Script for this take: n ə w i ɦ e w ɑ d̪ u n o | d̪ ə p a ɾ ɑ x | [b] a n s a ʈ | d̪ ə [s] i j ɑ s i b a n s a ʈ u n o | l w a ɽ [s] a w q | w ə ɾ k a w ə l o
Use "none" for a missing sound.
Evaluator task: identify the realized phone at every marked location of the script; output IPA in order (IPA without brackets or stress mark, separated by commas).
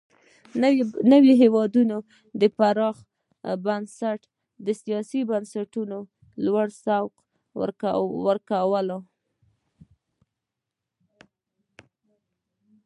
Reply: b, s, s